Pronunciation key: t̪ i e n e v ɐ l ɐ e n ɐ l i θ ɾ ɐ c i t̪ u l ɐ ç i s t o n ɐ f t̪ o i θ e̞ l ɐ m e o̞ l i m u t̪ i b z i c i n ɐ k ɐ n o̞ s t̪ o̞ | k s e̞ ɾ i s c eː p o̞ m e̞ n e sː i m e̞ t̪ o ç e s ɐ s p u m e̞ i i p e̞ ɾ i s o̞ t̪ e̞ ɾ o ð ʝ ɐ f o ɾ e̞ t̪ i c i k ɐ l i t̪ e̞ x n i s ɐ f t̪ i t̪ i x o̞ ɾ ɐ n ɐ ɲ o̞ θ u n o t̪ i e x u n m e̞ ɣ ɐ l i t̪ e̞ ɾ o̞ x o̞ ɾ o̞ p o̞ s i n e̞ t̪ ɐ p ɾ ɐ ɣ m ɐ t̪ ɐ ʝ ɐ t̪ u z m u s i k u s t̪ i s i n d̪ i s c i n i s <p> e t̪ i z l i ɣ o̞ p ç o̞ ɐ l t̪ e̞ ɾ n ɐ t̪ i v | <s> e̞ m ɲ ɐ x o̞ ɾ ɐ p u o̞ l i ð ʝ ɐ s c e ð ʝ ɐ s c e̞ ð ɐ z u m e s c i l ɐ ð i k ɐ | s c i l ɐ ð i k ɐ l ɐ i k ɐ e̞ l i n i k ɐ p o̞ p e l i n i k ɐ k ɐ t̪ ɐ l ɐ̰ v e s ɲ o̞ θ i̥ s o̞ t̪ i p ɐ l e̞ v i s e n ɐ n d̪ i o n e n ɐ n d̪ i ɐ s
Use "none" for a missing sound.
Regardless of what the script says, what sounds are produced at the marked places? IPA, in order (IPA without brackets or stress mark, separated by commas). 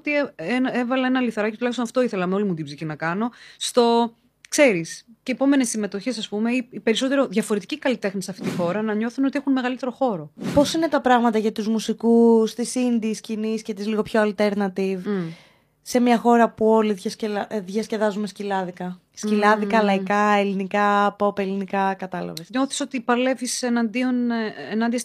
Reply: c, s